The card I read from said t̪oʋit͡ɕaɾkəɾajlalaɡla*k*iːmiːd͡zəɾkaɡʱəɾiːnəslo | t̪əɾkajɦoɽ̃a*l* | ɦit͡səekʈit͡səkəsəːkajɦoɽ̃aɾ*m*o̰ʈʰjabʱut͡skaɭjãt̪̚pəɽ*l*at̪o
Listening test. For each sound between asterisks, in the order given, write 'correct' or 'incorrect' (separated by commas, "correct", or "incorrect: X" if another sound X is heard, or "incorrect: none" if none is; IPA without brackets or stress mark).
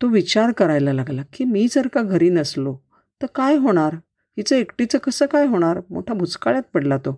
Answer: correct, incorrect: ɾ, correct, correct